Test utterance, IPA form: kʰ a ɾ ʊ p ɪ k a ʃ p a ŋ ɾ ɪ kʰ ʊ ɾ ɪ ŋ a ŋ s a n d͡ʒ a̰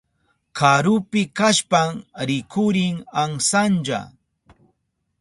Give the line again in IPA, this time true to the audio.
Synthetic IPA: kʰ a ɾ ʊ p ɪ k a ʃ p a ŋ ɾ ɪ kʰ ʊ ɾ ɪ ŋ a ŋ s a n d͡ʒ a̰